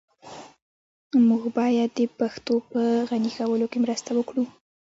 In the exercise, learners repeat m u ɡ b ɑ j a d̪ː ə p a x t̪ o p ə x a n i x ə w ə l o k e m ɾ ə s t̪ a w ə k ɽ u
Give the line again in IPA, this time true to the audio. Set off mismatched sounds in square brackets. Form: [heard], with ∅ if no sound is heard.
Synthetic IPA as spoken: m u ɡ b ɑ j a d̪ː ə p a x t̪ o p ə [ɣ] a n i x [a] w ə l o k e m ɾ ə s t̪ a w ə k ɽ u